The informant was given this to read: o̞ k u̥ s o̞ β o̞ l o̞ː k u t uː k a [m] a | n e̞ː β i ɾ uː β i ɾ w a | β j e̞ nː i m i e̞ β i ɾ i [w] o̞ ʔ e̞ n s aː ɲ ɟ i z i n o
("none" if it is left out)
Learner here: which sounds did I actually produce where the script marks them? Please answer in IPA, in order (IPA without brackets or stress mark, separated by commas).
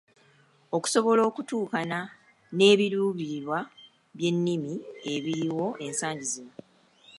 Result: n, w